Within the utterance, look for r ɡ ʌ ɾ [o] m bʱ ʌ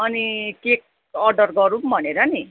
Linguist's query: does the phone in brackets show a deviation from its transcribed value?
yes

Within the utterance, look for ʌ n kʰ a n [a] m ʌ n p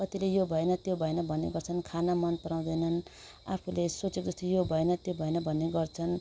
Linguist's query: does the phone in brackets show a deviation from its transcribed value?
no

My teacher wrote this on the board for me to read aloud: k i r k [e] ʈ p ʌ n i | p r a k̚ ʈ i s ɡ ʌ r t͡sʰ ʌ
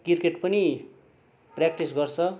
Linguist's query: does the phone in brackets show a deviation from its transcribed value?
no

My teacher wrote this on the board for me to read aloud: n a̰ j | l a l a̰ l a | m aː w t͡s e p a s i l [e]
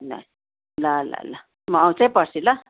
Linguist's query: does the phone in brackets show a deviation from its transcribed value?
yes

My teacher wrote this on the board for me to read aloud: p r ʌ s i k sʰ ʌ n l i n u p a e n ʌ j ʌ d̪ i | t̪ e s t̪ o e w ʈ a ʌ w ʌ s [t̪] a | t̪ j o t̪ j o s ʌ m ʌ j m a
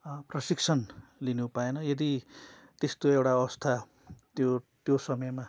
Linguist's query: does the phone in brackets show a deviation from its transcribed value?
yes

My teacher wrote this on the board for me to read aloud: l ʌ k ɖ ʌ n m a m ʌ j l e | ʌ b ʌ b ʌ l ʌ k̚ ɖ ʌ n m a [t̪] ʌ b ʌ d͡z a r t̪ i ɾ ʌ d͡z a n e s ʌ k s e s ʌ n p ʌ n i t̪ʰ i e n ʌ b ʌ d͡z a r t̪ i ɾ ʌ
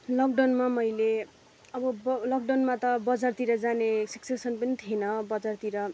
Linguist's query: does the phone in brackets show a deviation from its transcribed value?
no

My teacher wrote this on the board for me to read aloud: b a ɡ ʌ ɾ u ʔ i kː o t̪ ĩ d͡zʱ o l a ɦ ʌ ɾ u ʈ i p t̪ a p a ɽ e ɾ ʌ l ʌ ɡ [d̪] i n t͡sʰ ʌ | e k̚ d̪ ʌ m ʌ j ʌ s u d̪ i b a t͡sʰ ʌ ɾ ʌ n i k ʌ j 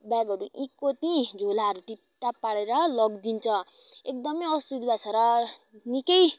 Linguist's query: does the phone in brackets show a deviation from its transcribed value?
no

